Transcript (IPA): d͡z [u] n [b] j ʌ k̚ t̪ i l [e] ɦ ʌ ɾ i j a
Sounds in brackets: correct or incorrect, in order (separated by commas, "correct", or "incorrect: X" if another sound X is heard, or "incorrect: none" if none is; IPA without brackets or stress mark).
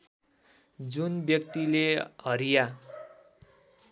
correct, correct, correct